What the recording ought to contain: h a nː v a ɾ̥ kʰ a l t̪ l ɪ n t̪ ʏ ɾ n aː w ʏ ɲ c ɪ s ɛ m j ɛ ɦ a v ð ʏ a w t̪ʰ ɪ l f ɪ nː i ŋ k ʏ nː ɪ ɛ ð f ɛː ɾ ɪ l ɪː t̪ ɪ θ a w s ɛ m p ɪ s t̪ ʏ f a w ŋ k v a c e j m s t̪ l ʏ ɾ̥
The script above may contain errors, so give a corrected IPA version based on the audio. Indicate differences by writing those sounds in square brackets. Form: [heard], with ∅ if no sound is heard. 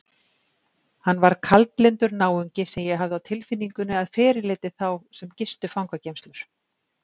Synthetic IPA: h a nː v a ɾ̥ kʰ a l t̪ l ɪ n t̪ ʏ ɾ n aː w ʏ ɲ c ɪ s ɛ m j ɛ ɦ a v ð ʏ a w t̪ʰ ɪ l f ɪ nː i ŋ k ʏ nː ɪ [a] ð f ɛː ɾ ɪ l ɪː t̪ ɪ θ a w s ɛ m [c] ɪ s t̪ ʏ f a w ŋ k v a c e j m s t̪ l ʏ ɾ̥